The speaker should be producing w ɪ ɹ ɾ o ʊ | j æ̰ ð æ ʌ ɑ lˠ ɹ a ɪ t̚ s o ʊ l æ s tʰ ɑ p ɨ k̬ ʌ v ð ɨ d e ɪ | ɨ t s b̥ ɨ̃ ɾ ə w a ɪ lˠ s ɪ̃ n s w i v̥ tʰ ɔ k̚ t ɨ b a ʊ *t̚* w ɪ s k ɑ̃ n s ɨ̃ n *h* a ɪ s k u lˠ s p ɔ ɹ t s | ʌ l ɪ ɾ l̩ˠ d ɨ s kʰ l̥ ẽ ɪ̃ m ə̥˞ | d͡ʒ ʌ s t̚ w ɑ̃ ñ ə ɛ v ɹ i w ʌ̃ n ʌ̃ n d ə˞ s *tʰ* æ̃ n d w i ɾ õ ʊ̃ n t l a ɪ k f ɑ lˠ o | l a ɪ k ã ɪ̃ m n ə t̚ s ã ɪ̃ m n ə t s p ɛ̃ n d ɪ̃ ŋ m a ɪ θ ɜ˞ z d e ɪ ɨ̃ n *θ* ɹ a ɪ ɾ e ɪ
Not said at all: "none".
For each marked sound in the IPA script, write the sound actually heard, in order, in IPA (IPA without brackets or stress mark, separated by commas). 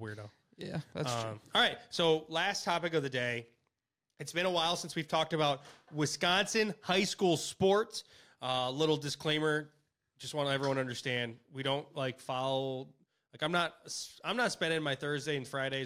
t̚, h, t, f